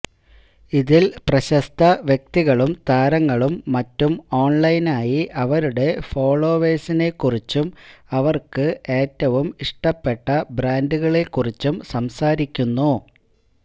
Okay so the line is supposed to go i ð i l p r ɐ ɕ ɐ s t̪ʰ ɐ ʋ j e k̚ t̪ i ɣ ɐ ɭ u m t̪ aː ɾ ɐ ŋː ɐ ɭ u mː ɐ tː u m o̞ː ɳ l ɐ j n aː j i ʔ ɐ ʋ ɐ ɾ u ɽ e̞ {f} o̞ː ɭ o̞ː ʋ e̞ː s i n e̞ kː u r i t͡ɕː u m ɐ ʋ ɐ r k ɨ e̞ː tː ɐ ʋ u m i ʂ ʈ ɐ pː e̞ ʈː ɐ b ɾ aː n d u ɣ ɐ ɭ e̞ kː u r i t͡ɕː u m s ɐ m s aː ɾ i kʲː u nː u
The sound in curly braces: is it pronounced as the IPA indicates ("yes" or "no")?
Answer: yes